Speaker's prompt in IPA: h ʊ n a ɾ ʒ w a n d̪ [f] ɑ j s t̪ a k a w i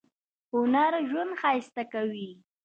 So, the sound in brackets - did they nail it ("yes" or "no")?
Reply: no